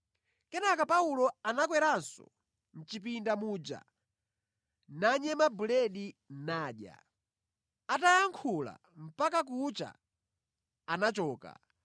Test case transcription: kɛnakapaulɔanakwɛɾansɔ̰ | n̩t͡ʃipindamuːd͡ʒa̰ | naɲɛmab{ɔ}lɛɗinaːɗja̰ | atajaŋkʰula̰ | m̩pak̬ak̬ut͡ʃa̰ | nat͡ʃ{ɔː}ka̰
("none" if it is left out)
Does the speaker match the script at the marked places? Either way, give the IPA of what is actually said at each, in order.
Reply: u, ɔː

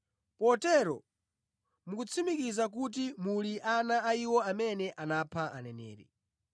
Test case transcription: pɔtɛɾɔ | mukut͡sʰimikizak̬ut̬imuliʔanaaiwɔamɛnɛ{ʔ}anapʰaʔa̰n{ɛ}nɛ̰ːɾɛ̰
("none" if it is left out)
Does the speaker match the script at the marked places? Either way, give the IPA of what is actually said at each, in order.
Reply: ʔ, ɛ

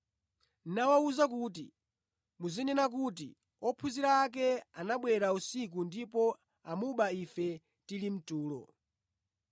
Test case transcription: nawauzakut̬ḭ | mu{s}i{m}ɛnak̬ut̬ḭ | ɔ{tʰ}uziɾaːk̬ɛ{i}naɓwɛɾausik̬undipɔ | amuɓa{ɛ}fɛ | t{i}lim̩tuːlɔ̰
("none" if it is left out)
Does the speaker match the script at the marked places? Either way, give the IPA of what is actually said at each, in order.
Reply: z, n, pʰ, a, i, i

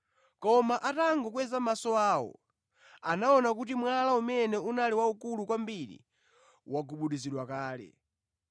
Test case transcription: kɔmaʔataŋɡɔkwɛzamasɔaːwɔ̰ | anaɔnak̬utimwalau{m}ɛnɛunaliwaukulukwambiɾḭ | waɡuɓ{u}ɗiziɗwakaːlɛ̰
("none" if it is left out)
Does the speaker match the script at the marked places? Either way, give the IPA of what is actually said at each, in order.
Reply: m, u

